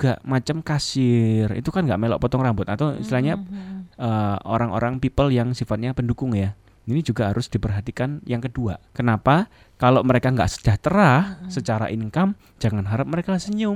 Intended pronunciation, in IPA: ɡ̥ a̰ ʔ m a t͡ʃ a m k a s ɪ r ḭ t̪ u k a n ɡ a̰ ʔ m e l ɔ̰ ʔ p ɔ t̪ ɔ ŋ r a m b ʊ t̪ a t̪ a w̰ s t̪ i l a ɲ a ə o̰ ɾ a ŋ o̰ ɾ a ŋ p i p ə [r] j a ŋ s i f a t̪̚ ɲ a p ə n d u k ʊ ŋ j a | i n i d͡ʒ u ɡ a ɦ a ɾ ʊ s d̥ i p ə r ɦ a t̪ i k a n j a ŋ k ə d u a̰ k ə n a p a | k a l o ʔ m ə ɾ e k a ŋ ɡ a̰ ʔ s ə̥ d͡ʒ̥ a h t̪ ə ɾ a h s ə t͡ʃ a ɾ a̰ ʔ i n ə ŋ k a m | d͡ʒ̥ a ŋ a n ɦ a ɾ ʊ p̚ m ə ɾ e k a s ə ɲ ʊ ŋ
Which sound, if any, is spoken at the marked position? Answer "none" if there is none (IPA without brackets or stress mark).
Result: l